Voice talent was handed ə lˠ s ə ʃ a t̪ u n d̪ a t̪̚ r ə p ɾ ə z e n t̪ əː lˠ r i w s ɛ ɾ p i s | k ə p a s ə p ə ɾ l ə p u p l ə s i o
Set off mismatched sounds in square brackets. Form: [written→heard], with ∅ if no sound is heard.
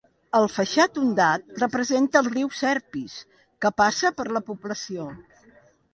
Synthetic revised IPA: ə lˠ [s→f] ə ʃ a t̪ u n d̪ a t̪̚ r ə p ɾ ə z e n t̪ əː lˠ r i w s ɛ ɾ p i s | k ə p a s ə p ə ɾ l ə p u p l ə s i o